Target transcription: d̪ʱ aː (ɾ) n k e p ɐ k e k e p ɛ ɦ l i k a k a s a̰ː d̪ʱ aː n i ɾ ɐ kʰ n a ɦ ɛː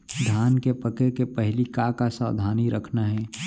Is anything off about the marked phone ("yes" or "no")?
yes